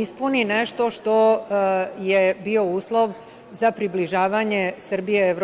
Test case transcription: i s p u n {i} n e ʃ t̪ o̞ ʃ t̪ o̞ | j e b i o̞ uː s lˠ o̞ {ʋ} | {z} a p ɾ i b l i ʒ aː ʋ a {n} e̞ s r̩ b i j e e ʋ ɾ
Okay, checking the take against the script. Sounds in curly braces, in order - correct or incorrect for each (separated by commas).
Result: correct, correct, correct, incorrect